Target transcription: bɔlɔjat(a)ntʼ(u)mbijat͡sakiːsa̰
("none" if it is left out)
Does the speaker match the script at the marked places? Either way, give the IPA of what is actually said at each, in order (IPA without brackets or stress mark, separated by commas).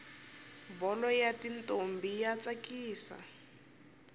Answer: i, o